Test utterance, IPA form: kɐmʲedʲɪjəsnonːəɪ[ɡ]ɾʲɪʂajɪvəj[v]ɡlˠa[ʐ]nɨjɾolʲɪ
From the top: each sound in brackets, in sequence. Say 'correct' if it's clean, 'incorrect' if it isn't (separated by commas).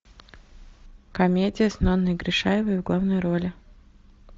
correct, correct, incorrect